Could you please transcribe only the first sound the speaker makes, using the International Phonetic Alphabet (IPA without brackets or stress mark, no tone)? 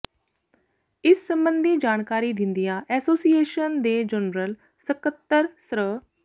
ɪ